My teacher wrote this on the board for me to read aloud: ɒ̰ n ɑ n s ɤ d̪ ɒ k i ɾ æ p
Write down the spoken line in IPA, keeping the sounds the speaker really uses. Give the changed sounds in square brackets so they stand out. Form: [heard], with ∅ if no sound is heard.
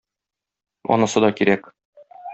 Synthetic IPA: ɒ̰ n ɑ [∅] s ɤ d̪ ɒ k i ɾ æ [k]